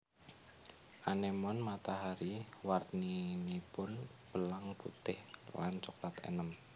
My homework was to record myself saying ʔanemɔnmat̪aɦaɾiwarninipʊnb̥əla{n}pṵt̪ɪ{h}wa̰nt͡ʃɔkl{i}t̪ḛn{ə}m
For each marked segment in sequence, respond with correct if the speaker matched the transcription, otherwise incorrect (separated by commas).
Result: incorrect, correct, incorrect, correct